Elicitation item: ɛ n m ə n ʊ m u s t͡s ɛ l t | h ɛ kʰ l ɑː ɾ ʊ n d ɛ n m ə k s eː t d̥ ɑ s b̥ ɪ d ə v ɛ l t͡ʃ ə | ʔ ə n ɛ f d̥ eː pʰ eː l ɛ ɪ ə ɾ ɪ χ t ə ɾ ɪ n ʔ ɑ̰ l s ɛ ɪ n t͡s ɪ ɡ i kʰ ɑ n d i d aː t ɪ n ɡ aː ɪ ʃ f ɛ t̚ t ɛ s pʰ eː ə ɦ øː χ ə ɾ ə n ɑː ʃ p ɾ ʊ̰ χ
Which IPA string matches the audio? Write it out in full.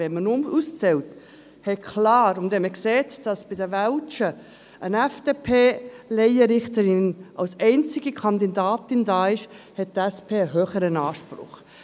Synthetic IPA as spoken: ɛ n m ə n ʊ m u s t͡s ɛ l t | h ɛ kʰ l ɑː ɾ ʊ n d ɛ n m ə k s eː t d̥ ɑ s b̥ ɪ d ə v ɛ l t͡ʃ ə | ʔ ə n ɛ f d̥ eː pʰ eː l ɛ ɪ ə ɾ ɪ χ t ə ɾ ɪ n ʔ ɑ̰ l s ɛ ɪ n t͡s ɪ ɡ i kʰ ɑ n d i d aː t ɪ n d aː ɪ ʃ h ɛ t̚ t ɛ s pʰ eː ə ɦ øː χ ə ɾ ə n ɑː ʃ p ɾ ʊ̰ χ